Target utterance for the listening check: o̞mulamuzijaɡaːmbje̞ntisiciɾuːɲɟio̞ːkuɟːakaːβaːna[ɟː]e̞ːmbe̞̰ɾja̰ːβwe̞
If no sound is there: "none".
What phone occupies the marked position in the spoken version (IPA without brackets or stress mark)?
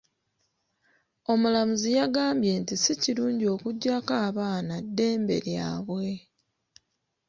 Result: dː